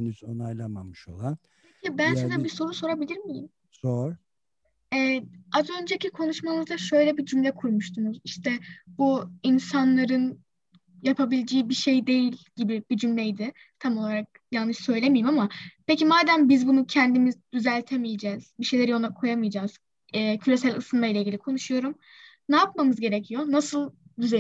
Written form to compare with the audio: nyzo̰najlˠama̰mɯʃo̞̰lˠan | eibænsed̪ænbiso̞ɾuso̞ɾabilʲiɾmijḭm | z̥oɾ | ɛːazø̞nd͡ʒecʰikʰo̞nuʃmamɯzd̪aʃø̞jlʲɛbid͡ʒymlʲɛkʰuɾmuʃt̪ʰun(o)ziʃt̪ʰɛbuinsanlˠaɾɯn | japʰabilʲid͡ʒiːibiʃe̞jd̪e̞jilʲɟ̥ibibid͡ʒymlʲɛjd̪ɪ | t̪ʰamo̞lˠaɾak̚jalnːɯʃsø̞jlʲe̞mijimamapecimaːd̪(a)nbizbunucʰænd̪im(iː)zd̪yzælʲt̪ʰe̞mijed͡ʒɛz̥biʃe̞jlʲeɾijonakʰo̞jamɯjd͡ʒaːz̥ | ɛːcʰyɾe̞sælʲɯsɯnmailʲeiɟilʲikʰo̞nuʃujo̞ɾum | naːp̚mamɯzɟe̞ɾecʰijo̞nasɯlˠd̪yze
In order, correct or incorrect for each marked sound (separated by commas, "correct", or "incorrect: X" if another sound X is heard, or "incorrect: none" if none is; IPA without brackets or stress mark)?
incorrect: u, incorrect: æ, incorrect: i